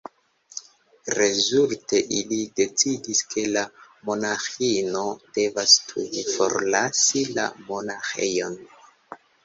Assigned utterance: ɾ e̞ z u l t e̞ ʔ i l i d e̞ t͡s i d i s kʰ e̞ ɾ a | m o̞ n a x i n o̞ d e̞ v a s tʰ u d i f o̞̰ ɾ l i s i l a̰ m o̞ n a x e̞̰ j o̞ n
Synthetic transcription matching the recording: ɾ e̞ z u l t e̞ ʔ i l i d e̞ t͡s i d i s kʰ e̞ l a | m o̞ n a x i n o̞ d e̞ v a s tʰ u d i f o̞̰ ɾ l a s i l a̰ m o̞ n a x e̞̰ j o̞ n